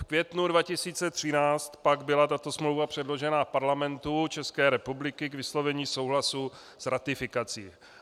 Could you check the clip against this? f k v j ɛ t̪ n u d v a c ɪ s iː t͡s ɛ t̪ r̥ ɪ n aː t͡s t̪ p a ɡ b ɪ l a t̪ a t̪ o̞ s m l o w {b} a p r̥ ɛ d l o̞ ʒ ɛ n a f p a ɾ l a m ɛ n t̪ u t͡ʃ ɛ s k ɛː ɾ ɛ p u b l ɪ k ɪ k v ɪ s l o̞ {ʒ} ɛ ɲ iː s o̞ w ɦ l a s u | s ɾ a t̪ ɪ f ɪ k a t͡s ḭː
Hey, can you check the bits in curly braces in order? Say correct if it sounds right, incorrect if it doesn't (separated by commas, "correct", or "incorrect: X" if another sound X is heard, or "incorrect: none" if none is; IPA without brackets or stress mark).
incorrect: v, incorrect: v